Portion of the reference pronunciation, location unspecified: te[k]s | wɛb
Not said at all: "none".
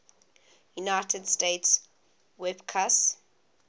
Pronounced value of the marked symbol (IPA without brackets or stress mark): t